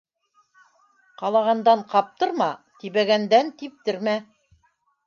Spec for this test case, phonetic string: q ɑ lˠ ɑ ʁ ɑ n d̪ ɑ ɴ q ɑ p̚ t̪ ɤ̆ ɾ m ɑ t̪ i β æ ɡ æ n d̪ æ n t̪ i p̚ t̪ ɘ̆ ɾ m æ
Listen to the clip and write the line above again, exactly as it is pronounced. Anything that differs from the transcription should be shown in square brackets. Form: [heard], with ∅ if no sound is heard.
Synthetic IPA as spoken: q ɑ lˠ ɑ ʁ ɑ n d̪ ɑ ɴ q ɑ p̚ t̪ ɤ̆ ɾ m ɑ t̪ i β æ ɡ æ n d̪ æ n t̪ i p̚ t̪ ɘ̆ ɾ m æ